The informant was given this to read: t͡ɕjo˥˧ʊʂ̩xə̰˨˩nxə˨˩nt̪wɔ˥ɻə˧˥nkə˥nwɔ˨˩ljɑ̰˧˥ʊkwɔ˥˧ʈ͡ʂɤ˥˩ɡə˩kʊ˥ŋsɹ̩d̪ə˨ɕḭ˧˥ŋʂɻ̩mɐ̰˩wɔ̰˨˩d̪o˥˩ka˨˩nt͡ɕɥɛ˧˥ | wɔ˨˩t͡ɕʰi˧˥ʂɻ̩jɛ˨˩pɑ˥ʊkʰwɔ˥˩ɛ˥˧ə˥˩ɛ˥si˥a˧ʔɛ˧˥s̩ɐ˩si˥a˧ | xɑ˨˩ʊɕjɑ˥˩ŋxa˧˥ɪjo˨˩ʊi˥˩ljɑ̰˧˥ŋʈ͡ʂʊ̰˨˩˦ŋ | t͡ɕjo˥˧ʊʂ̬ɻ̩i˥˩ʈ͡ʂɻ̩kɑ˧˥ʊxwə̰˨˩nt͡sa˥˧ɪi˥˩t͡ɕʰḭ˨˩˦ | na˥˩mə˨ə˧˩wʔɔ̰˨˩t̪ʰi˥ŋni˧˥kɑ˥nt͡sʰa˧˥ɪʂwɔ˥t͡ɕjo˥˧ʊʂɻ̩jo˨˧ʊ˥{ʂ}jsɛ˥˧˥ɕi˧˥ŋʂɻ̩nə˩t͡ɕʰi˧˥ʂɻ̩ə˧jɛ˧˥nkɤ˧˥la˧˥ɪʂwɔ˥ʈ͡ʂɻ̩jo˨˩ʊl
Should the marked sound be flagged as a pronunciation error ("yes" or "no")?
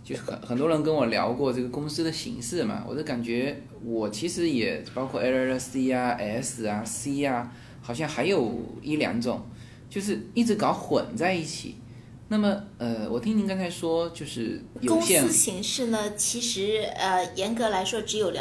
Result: yes